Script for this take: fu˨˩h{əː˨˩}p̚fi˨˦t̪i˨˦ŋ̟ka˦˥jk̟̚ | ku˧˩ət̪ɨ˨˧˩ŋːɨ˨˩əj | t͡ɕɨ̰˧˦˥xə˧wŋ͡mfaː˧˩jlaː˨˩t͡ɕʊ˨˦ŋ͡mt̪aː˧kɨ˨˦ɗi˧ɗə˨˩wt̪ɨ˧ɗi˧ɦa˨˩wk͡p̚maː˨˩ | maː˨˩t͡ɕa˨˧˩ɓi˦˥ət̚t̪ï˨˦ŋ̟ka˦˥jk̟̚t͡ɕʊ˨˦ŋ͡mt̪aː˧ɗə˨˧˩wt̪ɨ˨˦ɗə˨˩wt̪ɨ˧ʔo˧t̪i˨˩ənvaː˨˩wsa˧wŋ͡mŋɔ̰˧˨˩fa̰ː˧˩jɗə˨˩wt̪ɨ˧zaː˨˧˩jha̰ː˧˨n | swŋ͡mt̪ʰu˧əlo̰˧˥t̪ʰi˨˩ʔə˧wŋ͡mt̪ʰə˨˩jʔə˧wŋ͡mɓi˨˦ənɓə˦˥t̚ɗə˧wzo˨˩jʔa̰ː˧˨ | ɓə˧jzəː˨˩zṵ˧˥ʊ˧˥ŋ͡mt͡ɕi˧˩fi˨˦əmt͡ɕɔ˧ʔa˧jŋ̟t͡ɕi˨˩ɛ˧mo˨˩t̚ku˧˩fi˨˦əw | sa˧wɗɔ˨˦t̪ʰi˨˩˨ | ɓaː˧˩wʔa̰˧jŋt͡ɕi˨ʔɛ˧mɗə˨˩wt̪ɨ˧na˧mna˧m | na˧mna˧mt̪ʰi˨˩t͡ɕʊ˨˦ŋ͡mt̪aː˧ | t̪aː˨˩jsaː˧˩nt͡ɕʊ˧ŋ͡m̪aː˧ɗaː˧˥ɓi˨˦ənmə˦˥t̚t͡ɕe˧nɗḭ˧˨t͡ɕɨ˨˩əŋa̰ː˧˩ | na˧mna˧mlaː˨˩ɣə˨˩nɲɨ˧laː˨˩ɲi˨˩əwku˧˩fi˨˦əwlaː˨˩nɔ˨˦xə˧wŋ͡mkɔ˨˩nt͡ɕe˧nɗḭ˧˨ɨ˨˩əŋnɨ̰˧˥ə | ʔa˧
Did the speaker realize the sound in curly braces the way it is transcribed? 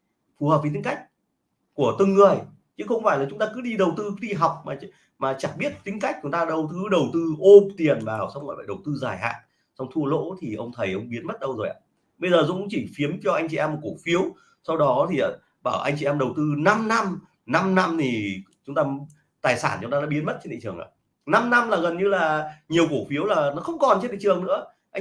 no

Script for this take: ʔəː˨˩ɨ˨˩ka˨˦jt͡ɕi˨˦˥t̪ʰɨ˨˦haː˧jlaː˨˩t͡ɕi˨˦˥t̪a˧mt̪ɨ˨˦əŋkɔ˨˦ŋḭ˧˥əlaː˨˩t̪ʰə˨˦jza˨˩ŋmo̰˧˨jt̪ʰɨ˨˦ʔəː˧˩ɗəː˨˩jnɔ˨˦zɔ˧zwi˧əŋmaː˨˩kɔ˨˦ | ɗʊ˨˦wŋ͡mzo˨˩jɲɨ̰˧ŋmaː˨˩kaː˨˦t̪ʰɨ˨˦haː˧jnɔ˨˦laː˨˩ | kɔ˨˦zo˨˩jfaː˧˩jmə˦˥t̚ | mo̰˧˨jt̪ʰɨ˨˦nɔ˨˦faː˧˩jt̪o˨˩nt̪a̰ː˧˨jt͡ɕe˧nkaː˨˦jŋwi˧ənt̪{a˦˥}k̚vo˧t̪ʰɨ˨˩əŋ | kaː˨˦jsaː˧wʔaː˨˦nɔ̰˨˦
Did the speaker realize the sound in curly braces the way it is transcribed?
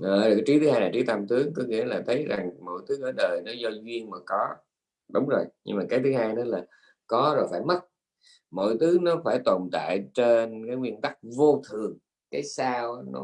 yes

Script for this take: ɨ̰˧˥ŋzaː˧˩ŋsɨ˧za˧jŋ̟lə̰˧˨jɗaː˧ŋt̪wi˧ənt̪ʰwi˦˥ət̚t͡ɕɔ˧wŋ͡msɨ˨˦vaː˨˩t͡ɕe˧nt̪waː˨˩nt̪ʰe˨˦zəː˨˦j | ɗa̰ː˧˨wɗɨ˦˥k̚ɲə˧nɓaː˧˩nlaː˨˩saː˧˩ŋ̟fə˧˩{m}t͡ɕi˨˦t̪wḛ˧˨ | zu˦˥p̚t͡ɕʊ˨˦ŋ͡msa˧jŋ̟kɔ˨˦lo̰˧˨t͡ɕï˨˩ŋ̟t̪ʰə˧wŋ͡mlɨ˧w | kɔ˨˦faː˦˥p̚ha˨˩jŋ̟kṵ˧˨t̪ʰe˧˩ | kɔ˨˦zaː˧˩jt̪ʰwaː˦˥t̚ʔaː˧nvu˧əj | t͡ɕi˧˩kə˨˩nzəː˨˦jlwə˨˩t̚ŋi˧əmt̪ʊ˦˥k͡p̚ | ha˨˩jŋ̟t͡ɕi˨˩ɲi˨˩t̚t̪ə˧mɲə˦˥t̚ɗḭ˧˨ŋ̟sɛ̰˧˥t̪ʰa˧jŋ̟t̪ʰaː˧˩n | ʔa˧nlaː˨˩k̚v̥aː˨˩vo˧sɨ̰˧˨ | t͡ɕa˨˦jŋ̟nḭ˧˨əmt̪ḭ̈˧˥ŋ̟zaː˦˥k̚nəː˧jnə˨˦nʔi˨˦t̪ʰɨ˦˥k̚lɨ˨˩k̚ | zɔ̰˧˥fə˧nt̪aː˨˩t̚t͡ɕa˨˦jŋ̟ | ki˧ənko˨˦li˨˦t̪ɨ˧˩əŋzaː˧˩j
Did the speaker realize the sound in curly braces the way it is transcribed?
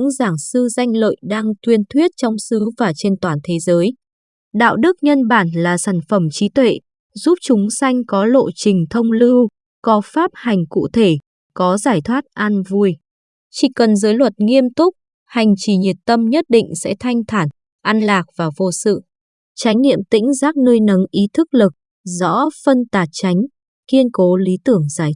yes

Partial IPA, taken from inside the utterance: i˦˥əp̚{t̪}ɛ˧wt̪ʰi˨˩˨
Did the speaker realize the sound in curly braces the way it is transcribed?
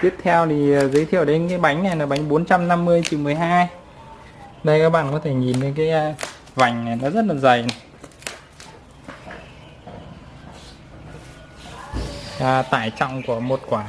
no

